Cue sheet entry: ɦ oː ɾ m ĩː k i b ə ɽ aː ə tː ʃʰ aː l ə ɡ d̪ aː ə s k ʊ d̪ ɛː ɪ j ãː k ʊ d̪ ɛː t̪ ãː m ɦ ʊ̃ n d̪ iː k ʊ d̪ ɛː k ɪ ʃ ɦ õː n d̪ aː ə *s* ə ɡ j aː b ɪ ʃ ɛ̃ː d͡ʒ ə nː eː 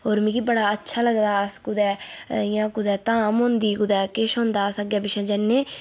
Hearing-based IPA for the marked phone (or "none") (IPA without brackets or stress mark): s